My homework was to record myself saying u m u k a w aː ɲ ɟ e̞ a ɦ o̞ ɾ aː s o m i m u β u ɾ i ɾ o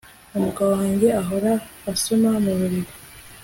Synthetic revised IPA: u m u k a w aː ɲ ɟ e̞ a ɦ o̞ ɾ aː s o m a m u β u ɾ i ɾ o

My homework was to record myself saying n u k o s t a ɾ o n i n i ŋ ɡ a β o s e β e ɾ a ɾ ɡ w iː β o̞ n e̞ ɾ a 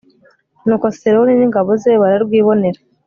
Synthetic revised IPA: n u k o s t e ɾ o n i n i ŋ ɡ a β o z e β a ɾ a ɾ ɡ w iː β o̞ n e̞ ɾ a

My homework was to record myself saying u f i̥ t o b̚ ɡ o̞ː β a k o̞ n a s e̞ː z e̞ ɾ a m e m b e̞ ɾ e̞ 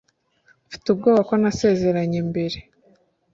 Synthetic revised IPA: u f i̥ t u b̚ ɡ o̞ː β a k o̞ n a s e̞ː z e̞ ɾ a ɲ e m b e̞ ɾ e̞

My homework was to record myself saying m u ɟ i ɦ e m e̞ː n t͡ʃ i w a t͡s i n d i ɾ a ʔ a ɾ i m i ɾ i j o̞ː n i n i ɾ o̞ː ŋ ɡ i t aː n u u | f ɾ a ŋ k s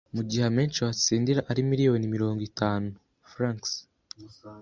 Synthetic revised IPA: m u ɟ i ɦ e m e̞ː n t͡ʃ i w a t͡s iː n d i ɾ a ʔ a ɾ i m i ɾ i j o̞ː n i m i ɾ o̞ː ŋ ɡ i t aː n u u | f ɾ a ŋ k s

